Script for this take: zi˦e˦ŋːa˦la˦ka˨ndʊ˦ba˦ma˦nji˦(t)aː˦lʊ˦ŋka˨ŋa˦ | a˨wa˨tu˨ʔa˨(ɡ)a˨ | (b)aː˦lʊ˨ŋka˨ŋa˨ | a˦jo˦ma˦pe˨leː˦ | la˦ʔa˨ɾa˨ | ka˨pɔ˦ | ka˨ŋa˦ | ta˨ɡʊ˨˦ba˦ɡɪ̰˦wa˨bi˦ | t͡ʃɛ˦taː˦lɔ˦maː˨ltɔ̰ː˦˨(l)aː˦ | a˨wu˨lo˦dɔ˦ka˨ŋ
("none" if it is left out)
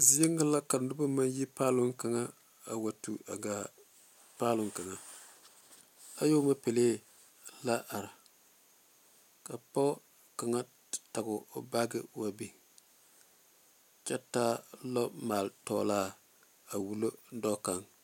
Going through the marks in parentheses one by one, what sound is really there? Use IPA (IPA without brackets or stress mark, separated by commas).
p, ɡ, p, l